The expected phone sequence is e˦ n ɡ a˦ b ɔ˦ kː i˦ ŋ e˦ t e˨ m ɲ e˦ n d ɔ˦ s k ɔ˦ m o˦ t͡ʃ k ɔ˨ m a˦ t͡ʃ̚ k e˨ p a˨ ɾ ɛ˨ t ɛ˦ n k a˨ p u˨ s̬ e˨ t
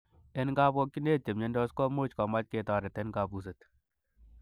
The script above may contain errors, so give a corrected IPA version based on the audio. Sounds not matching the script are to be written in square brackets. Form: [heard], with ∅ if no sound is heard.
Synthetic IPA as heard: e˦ n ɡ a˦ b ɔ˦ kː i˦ [n] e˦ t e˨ m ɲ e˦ n d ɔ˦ s k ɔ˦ m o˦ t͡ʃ k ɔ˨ m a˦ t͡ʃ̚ k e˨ [t] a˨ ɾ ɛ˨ t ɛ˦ n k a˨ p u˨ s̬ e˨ t